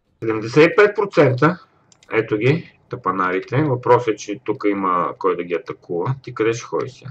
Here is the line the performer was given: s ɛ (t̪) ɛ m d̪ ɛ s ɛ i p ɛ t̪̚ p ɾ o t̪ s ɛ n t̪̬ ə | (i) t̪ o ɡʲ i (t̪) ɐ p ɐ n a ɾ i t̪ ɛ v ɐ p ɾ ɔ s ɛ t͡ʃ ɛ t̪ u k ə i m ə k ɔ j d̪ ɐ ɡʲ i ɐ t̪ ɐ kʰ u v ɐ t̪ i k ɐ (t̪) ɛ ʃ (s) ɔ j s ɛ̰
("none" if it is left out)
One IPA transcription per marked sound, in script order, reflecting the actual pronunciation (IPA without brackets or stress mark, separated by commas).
d̪, ɛ, t̪, d̪, x